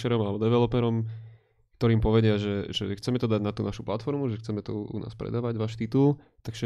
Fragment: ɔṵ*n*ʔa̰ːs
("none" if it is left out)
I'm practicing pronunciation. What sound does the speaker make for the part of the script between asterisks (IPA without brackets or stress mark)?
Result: n